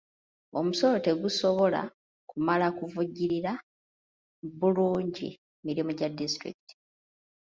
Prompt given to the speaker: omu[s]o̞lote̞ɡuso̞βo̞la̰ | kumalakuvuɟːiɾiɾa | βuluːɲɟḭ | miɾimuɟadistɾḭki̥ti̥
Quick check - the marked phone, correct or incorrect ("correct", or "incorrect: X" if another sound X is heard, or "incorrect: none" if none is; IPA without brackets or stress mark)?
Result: correct